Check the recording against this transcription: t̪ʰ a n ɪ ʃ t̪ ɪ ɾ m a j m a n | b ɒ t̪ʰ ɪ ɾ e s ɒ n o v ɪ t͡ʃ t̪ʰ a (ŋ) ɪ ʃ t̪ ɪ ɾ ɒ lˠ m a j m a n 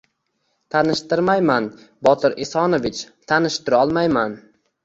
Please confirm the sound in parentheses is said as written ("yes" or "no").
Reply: no